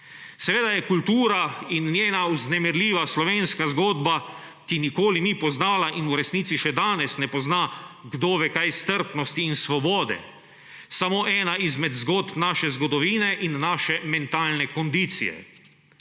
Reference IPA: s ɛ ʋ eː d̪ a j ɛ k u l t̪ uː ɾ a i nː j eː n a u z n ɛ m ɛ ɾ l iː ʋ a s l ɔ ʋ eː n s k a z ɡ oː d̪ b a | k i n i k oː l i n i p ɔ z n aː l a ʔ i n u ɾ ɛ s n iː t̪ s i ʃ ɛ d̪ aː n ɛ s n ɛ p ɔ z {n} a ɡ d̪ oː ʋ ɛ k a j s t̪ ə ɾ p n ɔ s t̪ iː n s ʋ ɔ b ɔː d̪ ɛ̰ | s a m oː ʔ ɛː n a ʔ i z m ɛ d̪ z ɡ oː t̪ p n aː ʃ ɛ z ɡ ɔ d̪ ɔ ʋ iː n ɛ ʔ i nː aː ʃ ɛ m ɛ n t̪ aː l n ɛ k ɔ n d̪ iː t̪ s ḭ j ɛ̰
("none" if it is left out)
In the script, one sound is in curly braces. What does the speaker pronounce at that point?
n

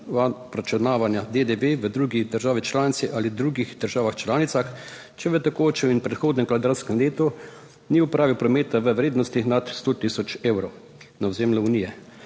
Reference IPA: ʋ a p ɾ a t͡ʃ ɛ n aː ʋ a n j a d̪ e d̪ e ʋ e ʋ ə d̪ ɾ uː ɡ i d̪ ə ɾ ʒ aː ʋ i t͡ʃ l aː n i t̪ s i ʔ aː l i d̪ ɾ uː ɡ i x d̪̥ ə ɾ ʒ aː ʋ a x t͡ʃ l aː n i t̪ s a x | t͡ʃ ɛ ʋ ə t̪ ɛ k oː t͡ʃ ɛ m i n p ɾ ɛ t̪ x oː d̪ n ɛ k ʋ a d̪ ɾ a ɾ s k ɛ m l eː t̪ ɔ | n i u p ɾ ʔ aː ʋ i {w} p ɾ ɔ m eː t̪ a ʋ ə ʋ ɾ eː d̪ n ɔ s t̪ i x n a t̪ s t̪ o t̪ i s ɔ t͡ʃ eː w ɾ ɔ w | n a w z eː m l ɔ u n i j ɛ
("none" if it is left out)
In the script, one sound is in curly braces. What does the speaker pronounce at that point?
w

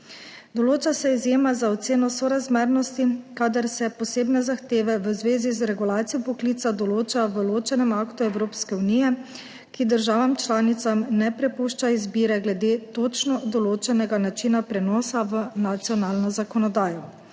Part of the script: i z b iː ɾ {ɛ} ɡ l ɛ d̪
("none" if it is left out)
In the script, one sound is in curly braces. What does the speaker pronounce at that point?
ɛ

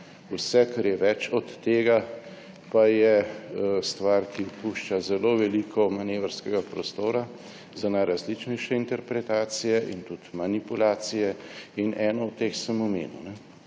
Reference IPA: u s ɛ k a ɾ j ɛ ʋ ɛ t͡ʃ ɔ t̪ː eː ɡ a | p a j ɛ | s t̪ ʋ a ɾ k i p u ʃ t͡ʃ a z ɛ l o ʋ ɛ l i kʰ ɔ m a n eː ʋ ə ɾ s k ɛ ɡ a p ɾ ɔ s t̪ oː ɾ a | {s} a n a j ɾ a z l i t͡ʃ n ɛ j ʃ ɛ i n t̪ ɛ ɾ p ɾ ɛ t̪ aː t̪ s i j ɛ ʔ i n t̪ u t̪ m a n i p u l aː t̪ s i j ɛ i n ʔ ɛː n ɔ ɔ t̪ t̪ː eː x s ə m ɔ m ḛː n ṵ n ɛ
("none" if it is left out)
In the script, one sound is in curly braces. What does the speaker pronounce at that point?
z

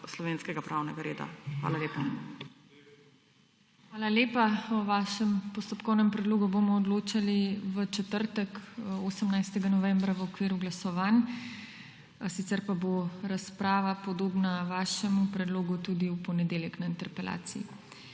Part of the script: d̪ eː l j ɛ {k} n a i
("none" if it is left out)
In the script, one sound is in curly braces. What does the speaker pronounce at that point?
k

